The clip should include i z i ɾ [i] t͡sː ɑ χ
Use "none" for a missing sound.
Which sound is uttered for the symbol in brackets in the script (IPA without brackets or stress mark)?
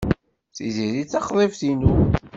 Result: i